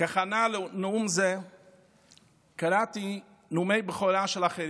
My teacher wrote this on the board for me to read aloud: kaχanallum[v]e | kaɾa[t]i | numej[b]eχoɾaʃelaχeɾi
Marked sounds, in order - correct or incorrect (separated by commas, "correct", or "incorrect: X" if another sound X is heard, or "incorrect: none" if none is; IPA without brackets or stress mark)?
incorrect: z, correct, correct